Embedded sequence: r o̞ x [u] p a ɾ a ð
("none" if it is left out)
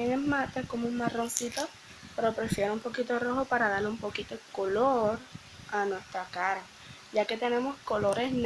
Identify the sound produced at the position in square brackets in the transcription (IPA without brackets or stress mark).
o